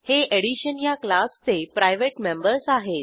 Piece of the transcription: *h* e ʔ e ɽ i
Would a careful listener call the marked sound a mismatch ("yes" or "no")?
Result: no